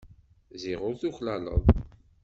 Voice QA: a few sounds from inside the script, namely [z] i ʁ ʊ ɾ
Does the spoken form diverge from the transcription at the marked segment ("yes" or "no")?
no